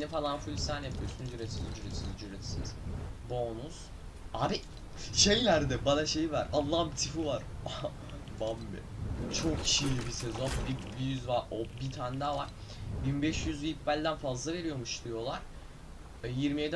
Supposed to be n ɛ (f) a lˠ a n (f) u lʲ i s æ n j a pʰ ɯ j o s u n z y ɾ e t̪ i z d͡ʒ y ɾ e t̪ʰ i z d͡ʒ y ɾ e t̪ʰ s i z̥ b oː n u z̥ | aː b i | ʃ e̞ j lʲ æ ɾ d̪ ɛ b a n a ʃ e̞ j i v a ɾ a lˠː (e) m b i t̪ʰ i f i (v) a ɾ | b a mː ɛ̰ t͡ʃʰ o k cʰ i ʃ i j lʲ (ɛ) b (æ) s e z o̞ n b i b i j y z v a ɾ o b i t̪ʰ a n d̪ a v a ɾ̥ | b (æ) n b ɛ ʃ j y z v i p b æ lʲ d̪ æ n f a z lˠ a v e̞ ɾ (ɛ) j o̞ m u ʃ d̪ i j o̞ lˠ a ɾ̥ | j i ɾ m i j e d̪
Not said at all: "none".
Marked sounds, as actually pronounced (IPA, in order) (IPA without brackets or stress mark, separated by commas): f, f, a, v, i, i, i, i